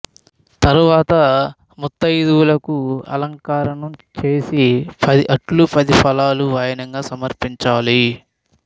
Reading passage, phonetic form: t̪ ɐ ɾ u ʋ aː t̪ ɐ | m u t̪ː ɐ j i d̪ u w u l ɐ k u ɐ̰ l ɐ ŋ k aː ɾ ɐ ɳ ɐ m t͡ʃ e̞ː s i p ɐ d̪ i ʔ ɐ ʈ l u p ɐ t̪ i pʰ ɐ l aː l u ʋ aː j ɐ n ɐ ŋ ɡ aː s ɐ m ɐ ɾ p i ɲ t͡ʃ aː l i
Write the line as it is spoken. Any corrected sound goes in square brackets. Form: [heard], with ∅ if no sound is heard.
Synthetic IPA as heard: t̪ ɐ ɾ u ʋ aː t̪ ɐ | m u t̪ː ɐ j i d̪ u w u l ɐ k u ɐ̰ l ɐ ŋ k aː ɾ ɐ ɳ ɐ m t͡ʃ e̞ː s i p ɐ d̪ i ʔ ɐ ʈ l u p ɐ [d̪] i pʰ ɐ l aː l u ʋ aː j ɐ n ɐ ŋ ɡ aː s ɐ m ɐ ɾ p i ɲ t͡ʃ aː l i